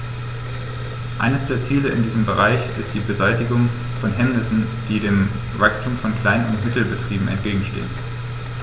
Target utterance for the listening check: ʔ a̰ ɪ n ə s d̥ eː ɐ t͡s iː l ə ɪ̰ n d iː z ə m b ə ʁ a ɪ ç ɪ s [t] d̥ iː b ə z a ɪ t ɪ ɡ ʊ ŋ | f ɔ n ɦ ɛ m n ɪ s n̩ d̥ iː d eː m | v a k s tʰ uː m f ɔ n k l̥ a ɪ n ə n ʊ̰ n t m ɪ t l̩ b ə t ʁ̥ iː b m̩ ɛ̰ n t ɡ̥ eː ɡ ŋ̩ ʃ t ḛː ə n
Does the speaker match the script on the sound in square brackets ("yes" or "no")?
yes